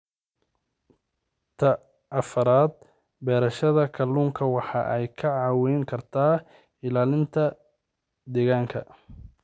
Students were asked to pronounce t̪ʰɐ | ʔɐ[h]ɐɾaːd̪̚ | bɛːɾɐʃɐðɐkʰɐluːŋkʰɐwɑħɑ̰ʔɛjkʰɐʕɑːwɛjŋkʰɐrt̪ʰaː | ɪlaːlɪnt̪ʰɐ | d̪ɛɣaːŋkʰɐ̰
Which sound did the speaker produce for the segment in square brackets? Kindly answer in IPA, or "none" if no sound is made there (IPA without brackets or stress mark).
f